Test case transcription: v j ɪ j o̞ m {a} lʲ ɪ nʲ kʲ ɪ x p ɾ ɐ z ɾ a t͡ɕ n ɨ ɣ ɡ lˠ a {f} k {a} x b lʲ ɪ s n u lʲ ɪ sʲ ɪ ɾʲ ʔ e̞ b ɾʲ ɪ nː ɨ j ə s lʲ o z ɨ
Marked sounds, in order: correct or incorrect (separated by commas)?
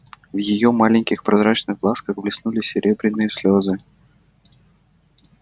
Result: correct, incorrect, incorrect